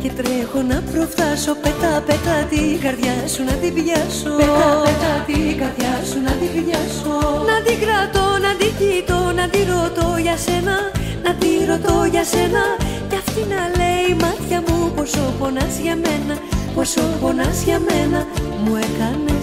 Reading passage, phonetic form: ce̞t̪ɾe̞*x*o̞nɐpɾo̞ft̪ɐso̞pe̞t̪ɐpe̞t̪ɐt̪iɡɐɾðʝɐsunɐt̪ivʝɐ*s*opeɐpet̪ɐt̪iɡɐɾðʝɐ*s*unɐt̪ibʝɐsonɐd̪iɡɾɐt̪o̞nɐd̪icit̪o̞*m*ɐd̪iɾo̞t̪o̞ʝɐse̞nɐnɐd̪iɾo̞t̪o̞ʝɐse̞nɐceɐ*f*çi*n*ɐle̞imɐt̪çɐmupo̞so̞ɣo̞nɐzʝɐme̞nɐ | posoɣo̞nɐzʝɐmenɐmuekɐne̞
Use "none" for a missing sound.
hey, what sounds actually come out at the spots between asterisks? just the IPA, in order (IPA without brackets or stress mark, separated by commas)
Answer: x, s, s, n, f, n